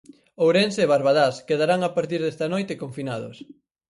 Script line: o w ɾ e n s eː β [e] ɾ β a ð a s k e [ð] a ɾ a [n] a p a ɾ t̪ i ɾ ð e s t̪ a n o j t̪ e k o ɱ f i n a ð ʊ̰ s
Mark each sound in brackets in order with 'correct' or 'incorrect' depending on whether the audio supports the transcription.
incorrect, correct, incorrect

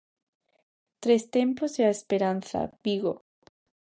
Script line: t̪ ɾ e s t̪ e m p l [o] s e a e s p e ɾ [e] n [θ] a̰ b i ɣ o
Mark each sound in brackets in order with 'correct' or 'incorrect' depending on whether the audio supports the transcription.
correct, incorrect, correct

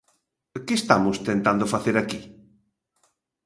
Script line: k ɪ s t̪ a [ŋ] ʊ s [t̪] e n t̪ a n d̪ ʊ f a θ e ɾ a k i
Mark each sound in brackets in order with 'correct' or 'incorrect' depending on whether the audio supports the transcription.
incorrect, correct

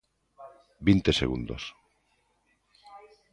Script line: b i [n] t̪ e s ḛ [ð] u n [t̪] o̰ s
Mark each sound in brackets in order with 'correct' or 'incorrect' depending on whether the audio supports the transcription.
correct, incorrect, incorrect

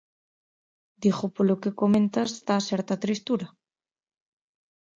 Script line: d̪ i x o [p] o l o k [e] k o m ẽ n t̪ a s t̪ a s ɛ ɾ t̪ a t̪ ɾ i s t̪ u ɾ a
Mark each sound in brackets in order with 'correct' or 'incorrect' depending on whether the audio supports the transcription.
correct, correct

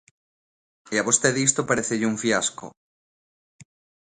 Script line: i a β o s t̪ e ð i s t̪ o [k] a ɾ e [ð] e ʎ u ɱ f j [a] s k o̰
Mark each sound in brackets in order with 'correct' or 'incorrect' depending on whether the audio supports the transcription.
incorrect, incorrect, correct

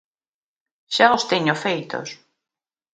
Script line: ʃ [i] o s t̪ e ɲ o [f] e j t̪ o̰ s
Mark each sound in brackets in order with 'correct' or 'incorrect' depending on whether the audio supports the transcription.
incorrect, correct

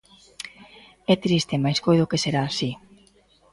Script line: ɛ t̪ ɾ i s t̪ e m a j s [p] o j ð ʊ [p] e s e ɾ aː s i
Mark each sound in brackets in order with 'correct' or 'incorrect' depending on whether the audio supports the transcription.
incorrect, incorrect

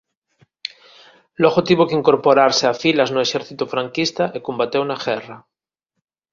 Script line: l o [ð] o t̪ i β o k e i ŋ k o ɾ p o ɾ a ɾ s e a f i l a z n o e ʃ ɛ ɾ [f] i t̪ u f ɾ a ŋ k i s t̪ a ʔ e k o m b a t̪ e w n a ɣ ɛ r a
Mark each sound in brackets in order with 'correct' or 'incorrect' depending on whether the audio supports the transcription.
incorrect, incorrect

